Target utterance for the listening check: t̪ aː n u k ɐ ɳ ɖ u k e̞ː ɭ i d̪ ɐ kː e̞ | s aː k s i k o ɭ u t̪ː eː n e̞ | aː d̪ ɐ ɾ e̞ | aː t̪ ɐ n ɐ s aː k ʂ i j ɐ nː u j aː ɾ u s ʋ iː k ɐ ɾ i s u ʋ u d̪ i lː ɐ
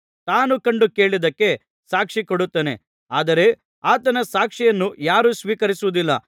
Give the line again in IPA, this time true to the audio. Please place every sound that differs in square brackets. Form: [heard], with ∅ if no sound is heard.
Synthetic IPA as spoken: t̪ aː n u k ɐ ɳ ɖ u k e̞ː ɭ i d̪ ɐ kː e̞ | s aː k [ʂ] i k o [ɽ] u t̪ː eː n e̞ | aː d̪ ɐ ɾ e̞ | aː t̪ ɐ n ɐ s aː k ʂ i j ɐ nː u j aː ɾ u s ʋ iː k ɐ ɾ i s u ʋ u d̪ i lː ɐ